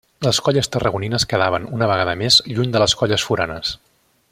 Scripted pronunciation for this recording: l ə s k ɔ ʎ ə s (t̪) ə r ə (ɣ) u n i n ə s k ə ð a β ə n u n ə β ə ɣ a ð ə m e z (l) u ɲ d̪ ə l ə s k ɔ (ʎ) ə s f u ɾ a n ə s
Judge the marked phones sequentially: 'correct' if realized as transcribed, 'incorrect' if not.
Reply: correct, correct, incorrect: ʎ, correct

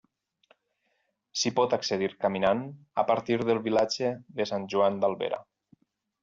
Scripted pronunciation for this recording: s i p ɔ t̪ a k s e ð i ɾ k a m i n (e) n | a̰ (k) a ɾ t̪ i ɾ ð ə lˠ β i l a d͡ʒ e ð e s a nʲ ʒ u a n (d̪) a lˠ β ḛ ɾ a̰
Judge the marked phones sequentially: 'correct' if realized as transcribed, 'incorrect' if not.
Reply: incorrect: a, incorrect: p, correct

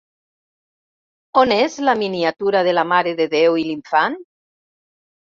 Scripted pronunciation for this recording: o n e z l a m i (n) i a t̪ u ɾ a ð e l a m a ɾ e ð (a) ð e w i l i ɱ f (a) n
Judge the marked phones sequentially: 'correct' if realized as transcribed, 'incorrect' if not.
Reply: correct, incorrect: e, correct

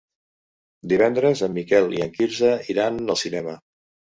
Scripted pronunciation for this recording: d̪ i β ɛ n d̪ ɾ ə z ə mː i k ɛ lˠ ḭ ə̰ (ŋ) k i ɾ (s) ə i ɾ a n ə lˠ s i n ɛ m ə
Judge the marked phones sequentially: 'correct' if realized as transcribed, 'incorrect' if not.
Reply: correct, incorrect: z

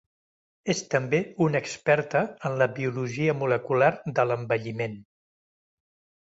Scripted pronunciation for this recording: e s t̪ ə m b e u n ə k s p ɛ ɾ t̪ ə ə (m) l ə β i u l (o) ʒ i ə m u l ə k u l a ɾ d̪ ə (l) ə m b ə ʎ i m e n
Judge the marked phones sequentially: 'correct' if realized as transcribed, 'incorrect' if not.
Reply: incorrect: n, incorrect: u, correct

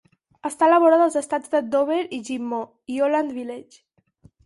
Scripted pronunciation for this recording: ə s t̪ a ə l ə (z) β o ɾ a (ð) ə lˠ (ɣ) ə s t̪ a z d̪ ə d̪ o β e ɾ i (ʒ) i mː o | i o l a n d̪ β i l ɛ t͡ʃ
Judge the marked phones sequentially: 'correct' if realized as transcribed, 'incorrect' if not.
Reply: incorrect: none, correct, incorrect: z, correct

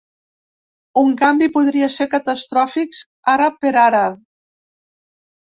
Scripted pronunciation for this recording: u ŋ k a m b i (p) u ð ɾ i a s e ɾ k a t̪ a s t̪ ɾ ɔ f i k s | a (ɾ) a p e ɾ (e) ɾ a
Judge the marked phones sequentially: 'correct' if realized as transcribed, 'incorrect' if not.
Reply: correct, correct, incorrect: a

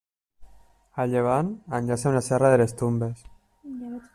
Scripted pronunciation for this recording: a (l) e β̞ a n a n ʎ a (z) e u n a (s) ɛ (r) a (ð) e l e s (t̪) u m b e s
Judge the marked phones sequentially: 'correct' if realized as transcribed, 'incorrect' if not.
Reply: incorrect: ʎ, incorrect: s, correct, correct, correct, correct

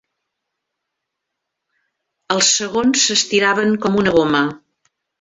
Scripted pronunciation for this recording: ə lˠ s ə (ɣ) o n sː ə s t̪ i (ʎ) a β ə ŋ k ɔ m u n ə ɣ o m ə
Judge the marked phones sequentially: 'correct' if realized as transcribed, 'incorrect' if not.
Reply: correct, incorrect: ɾ

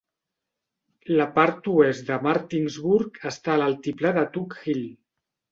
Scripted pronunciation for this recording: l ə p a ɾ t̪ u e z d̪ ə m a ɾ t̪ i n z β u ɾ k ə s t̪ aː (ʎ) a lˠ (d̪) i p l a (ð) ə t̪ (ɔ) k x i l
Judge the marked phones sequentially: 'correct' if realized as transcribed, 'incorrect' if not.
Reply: incorrect: l, incorrect: t̪, correct, incorrect: u

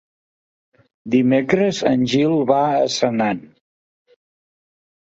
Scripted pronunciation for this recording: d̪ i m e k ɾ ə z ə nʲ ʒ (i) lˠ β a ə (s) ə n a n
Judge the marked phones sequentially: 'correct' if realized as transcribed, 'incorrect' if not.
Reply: correct, correct

